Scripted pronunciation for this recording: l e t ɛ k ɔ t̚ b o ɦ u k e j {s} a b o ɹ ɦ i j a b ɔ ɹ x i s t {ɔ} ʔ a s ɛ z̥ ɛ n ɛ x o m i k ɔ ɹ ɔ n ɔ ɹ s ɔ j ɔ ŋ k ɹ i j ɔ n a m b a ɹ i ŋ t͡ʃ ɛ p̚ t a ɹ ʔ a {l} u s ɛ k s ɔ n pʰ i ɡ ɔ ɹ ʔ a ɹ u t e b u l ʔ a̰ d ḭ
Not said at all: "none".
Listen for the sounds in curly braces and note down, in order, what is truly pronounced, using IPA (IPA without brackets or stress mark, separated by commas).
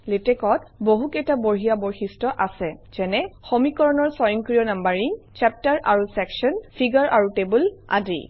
t, ɔ, ɹ